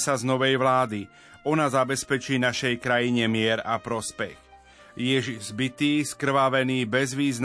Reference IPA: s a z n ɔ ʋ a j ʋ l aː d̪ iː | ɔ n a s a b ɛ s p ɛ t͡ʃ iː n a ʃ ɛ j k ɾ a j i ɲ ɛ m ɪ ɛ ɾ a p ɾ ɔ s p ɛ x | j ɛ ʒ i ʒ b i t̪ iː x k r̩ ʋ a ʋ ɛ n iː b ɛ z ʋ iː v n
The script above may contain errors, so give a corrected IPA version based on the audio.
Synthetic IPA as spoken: s a z n ɔ ʋ ɛ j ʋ l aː d̪ i | ɔ n a z a b ɛ s p ɛ t͡ʃ iː n a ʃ ɛ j k ɾ a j i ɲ ɛ m ɪ ɛ ɾ a p ɾ ɔ s p ɛ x | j ɛ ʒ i z b i t̪ iː s k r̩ ʋ a ʋ ɛ n iː b ɛ z ʋ iː z n